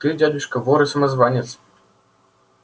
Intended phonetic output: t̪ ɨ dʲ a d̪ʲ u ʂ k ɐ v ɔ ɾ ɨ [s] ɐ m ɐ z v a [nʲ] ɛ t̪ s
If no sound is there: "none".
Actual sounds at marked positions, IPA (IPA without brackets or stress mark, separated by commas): s, nʲ